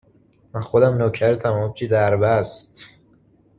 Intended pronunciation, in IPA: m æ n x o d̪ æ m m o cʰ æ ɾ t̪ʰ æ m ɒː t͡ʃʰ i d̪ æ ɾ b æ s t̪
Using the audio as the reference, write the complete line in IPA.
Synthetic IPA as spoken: m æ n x o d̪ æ m n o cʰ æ ɾ t̪ʰ æ m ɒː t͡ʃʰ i d̪ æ ɾ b æ s t̪